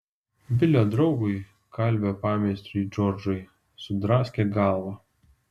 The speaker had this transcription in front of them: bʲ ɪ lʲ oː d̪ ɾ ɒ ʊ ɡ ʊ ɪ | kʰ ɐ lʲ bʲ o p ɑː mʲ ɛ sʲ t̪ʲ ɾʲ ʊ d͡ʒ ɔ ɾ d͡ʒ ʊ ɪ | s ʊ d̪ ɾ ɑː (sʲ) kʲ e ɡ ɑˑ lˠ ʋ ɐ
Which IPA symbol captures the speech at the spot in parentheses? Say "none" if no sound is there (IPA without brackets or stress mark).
sʲ